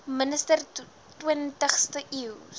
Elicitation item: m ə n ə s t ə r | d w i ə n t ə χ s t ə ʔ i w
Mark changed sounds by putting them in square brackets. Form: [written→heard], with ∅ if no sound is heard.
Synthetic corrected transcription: m ə n ə s t ə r | [d→t] w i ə n t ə χ s t ə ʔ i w